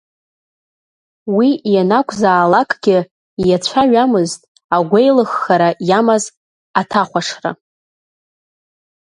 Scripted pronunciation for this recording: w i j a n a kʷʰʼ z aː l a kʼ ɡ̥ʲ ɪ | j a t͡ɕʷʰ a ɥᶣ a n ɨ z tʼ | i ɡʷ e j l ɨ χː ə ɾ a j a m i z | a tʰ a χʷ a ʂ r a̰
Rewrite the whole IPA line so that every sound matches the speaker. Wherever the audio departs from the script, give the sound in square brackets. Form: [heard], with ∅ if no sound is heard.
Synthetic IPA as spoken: w i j a n a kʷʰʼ z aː l a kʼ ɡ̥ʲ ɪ | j a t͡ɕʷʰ a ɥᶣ a [m] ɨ z tʼ | [a] ɡʷ e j l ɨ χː [a] ɾ a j a m [a] z | a tʰ a χʷ a ʂ r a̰